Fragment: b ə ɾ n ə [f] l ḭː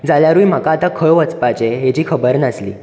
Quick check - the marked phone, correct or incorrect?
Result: incorrect